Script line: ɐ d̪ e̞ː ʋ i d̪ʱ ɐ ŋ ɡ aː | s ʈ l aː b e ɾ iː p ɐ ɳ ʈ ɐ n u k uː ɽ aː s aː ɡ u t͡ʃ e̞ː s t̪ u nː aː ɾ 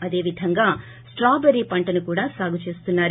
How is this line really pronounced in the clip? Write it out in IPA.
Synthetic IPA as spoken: ɐ d̪ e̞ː ʋ i d̪ʱ ɐ ŋ ɡ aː | s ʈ ɾ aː b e ɾ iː p ɐ ɳ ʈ ɐ n u k uː ɽ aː s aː ɡ u t͡ʃ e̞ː s t̪ u nː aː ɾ